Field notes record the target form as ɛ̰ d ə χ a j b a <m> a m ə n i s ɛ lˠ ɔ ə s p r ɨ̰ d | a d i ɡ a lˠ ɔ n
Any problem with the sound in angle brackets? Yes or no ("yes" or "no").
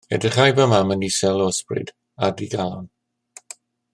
no